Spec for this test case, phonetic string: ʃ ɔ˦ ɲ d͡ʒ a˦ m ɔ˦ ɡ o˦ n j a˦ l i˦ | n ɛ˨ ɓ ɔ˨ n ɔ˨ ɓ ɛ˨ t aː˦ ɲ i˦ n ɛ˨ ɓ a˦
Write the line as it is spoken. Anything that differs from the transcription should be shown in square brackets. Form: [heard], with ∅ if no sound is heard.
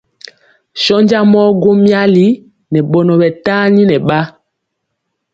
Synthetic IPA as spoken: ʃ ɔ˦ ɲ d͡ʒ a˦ m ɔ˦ ɡ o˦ [m] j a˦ l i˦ | n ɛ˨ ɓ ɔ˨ n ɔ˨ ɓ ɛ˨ t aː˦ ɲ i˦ n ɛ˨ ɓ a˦

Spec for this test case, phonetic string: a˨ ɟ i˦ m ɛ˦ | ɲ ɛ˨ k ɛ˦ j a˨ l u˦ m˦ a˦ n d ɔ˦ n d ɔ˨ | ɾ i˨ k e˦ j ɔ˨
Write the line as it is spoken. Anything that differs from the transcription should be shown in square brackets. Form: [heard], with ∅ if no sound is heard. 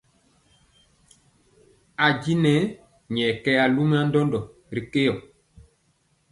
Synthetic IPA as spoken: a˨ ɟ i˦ [n] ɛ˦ | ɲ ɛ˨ k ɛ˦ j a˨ l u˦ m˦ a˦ n d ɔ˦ n d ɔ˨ | ɾ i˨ k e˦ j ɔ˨

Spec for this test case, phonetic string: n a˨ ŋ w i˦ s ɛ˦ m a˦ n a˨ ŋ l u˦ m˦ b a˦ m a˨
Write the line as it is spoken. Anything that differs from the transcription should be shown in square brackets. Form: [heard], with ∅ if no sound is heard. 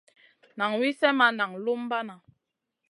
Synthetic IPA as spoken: n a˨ ŋ w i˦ s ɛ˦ m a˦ n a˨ ŋ l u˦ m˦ b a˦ [n] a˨

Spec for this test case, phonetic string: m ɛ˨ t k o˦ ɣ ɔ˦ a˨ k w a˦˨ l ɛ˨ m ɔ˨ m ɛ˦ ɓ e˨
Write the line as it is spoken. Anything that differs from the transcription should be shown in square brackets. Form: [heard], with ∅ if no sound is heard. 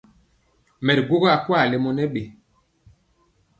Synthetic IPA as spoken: m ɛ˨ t [ɡ] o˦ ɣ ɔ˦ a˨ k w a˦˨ l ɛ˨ m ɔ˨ [n] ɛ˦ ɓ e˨

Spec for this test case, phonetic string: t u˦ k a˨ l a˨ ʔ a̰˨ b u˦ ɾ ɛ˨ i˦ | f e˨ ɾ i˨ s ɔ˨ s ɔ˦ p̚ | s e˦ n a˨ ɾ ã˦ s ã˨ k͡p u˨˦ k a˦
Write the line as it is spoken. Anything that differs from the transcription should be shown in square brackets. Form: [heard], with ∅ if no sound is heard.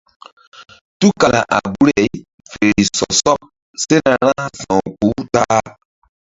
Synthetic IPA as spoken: t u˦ k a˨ l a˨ ʔ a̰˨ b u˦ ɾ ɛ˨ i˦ | f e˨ ɾ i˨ s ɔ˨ s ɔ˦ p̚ | s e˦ n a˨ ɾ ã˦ s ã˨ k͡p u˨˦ [t] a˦

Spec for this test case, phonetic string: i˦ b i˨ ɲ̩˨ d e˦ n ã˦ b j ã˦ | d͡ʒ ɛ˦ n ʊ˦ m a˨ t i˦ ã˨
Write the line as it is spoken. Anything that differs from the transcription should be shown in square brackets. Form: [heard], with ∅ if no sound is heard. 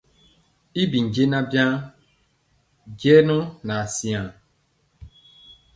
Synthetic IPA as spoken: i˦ b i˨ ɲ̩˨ [d͡ʒ] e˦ n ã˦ b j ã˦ | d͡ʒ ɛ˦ n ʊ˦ [n] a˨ [s] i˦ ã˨

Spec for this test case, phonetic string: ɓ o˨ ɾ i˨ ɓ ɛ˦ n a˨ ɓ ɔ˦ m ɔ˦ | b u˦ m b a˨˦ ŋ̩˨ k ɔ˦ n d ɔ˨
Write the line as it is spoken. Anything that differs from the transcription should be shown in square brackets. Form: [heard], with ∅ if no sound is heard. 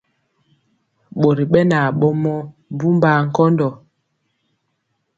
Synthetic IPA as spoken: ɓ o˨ ɾ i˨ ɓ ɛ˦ n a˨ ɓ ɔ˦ m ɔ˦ | b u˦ m b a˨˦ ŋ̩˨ k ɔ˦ n d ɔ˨

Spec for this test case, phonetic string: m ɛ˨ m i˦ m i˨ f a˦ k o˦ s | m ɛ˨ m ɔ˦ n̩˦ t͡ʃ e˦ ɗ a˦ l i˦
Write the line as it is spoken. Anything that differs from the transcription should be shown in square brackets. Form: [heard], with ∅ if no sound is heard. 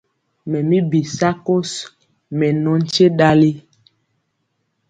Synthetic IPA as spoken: m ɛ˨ m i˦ [b] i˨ [s] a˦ k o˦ s | m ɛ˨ [n] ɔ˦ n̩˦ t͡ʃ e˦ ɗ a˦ l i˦

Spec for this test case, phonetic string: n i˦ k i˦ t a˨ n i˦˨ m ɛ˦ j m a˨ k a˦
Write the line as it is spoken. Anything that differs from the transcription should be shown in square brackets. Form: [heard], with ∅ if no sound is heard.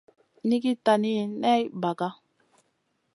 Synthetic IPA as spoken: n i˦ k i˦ t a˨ n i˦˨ [n] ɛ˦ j [b] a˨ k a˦

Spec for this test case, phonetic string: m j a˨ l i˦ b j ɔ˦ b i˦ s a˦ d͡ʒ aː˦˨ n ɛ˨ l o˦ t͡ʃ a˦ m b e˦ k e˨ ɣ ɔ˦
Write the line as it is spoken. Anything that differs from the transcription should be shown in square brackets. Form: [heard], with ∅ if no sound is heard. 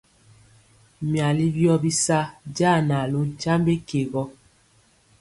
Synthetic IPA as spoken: m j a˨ l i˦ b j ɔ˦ b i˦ s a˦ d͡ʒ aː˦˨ n [a˨] l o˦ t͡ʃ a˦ m b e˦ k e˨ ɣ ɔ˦

